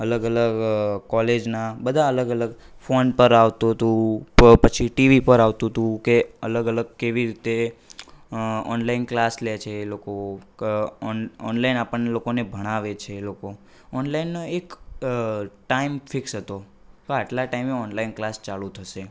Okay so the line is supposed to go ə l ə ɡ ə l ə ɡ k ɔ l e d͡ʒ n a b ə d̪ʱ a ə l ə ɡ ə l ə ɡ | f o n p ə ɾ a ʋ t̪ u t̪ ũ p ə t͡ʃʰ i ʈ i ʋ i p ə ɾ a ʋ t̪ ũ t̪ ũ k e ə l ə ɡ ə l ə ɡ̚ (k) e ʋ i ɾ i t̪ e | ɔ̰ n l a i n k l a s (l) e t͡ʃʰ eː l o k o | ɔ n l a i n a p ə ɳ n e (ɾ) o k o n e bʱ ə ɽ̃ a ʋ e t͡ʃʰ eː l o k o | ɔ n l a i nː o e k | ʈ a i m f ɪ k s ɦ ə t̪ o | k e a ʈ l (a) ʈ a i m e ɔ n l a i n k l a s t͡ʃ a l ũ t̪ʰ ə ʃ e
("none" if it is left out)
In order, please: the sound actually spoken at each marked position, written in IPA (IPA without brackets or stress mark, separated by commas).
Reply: k, l, l, a